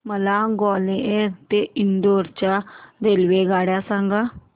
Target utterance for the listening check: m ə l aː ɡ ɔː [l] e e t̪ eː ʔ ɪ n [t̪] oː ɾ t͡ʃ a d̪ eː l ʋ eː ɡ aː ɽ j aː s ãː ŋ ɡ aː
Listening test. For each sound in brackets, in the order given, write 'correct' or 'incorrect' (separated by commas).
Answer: correct, incorrect